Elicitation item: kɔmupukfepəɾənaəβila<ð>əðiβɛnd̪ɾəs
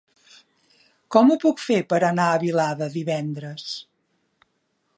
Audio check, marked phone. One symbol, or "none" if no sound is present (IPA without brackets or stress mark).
ð